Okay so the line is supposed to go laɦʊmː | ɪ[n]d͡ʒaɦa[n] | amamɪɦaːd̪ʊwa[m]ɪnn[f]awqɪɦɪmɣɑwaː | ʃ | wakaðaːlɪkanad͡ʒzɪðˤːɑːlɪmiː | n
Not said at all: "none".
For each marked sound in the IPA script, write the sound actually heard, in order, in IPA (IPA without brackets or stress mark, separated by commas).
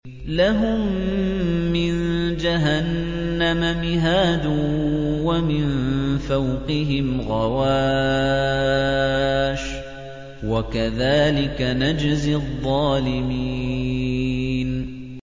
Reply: n, nː, m, f